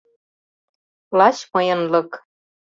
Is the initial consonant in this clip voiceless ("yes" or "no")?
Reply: no